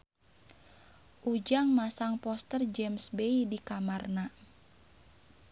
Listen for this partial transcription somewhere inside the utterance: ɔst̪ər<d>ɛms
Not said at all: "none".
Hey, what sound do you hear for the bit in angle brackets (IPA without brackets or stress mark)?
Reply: d͡ʒ